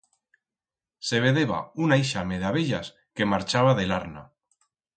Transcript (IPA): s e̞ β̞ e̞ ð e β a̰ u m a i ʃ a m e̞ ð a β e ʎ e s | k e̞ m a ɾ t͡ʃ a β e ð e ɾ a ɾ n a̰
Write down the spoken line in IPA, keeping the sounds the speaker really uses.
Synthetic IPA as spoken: s e̞ β̞ e̞ ð e β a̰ u n a i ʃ a m e̞ ð a β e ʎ a s | k e̞ m a ɾ t͡ʃ a β a ð e l a ɾ n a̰

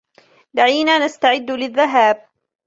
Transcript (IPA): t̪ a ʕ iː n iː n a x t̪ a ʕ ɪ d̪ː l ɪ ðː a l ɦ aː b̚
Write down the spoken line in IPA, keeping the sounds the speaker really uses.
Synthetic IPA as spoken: d̪ a ʕ iː n aː n a s t̪ a ʕ ɪ d̪ː l ɪ ðː a ɦ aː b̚

